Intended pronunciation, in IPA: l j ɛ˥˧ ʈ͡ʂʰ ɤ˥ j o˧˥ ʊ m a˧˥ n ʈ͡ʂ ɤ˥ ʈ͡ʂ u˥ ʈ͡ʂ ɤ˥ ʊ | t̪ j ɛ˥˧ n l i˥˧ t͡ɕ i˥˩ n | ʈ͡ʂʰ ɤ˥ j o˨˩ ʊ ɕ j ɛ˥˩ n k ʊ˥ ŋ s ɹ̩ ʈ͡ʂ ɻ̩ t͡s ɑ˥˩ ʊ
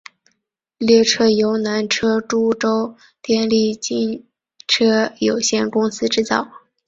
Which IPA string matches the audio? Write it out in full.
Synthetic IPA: l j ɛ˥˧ ʈ͡ʂʰ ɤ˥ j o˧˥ ʊ n a˧˥ n ʈ͡ʂʰ ɤ˥ ʈ͡ʂ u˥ ʈ͡ʂ o˥ ʊ | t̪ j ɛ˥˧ n l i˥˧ t͡ɕ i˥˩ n | ʈ͡ʂʰ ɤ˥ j o˨˩ ʊ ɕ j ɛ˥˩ n k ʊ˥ ŋ s ɹ̩ ʈ͡ʂ ɻ̩ t͡s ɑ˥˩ ʊ